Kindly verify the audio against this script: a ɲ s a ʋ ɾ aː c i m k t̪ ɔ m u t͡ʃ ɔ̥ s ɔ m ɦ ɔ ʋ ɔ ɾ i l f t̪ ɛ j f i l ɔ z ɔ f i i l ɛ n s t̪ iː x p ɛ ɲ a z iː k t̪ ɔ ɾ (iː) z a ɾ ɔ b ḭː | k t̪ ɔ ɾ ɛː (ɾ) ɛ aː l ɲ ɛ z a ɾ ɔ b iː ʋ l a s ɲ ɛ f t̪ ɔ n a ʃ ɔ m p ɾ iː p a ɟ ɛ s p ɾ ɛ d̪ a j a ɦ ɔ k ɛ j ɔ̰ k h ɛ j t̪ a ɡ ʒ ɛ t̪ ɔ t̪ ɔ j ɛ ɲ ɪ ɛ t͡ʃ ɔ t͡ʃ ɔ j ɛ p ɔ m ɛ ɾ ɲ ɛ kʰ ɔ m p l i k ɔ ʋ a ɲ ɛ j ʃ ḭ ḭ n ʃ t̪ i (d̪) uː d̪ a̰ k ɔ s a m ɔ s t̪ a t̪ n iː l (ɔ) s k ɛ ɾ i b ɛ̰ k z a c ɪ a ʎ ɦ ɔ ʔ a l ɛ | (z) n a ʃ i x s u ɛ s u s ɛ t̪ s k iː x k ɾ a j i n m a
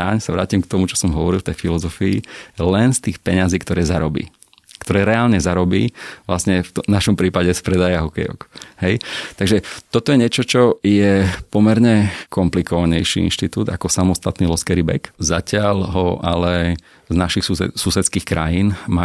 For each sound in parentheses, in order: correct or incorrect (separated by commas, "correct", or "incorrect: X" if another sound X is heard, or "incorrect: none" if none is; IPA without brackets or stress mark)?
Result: incorrect: ɛː, correct, incorrect: t̪, correct, correct